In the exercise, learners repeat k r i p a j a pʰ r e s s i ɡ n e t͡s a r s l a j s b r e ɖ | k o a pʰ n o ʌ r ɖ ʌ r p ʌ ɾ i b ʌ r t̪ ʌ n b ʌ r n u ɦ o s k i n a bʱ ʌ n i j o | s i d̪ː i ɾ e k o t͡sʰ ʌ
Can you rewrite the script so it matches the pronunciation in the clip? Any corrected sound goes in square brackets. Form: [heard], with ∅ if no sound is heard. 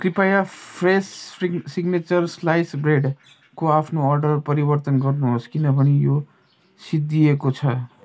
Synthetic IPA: k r i p a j a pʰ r e s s i ɡ n e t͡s [ʌ] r s l a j s b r e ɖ | k o a pʰ n o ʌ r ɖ ʌ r p ʌ ɾ i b ʌ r t̪ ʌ n [ɡ] ʌ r n u ɦ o s k i n [ʌ] bʱ ʌ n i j o | s i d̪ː i [∅] e k o t͡sʰ ʌ